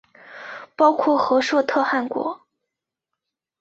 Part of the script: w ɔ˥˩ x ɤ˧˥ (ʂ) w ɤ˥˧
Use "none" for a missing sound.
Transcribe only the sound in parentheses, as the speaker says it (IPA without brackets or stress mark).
ʂ